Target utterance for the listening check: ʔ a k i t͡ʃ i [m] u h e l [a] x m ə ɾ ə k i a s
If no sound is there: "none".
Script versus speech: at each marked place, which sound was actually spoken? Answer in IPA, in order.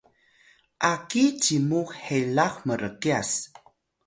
m, a

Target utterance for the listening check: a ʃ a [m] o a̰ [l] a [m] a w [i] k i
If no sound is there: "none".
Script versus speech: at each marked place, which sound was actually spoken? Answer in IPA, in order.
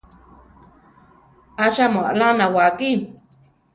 m, l, n, a

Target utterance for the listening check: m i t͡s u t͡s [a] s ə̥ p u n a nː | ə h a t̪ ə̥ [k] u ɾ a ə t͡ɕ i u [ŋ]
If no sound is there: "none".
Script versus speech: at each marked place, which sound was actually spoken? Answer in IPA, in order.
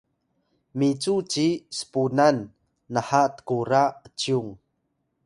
i, k, ŋ

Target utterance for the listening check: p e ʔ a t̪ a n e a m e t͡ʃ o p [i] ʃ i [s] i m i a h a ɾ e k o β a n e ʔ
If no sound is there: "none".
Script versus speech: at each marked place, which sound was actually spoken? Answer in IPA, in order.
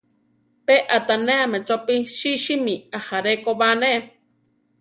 i, ʃ

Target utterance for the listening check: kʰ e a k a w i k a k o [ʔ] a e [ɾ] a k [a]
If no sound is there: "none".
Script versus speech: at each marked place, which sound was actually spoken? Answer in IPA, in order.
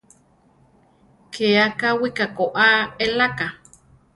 ʔ, l, a

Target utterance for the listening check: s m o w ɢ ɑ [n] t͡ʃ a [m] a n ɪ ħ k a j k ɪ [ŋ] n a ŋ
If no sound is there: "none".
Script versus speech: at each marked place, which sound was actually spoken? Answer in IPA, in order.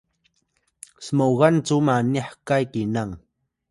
n, m, none

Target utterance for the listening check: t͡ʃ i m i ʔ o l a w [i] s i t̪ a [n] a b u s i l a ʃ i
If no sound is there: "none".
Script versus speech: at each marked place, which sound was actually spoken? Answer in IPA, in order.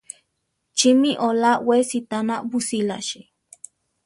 e, n

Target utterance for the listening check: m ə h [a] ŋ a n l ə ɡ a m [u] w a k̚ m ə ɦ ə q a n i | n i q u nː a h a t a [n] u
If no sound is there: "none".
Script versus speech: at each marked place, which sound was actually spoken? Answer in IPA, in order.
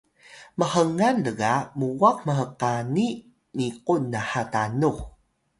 ə, u, n

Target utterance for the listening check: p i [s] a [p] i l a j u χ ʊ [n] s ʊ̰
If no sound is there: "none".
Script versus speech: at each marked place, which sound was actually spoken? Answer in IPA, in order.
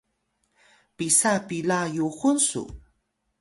s, p, n

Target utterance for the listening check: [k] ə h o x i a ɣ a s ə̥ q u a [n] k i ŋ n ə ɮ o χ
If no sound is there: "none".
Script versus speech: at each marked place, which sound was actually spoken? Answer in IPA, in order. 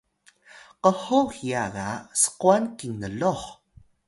q, n

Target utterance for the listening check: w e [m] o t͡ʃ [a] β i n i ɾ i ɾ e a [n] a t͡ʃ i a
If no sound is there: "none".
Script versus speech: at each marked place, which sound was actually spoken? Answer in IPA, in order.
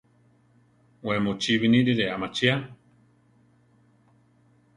m, i, m

